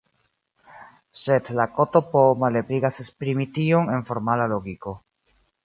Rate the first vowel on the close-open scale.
mid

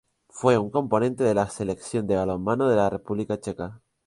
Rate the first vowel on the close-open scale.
mid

